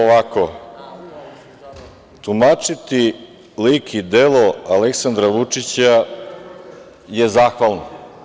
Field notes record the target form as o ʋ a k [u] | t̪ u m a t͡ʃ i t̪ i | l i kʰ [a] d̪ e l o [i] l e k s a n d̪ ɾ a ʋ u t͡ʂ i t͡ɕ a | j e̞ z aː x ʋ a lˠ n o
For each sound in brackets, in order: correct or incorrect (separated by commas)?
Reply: incorrect, incorrect, incorrect